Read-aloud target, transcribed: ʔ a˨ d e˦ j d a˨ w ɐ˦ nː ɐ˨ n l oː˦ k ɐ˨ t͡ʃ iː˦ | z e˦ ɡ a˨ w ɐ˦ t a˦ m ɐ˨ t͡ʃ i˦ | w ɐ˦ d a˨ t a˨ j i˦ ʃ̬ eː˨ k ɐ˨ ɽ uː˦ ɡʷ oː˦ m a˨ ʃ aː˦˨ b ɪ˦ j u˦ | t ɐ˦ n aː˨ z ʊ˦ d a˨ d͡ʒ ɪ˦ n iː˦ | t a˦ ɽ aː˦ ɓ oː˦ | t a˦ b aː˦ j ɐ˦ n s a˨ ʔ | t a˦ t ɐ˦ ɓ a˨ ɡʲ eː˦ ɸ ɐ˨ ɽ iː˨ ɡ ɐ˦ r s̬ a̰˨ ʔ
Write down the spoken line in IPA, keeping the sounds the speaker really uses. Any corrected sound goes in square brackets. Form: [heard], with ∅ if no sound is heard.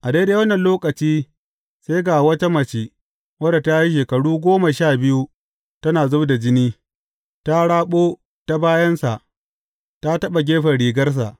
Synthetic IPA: ʔ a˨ d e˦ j d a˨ w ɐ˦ nː ɐ˨ n l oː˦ k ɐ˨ t͡ʃ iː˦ | [s] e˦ ɡ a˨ w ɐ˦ t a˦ m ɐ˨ t͡ʃ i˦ | w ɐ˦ d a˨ t [a˦] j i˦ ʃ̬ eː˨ k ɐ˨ ɽ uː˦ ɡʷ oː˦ m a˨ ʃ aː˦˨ b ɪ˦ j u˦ | t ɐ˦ n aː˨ z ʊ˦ d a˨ d͡ʒ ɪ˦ n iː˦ | t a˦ ɽ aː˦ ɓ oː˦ | t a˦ b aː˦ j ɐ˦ n s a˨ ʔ | t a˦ t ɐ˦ ɓ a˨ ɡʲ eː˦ ɸ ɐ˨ ɽ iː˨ ɡ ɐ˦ r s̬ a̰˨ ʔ